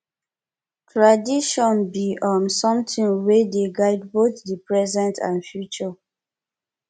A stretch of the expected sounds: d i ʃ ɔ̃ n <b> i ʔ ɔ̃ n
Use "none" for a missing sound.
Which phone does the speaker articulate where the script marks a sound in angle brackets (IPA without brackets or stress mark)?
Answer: b